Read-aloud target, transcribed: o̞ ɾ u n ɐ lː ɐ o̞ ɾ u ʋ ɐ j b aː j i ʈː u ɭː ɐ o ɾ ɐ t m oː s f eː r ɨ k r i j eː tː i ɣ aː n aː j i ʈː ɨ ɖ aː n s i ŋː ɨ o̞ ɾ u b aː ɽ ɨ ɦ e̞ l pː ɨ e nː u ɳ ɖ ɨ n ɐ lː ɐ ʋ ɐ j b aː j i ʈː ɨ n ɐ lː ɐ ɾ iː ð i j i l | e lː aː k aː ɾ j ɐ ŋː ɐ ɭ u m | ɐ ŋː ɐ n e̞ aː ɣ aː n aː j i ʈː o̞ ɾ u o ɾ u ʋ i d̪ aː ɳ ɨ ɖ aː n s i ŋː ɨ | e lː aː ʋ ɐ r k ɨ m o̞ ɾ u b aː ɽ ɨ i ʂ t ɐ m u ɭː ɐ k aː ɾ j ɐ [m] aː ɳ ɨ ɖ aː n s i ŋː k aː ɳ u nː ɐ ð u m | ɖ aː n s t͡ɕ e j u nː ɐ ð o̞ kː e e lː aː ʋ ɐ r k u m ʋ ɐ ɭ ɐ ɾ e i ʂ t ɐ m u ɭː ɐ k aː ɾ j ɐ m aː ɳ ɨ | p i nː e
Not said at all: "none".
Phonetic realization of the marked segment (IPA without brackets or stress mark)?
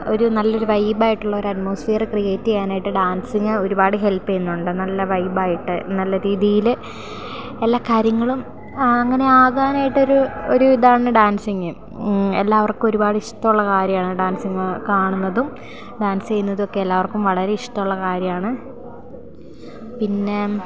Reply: m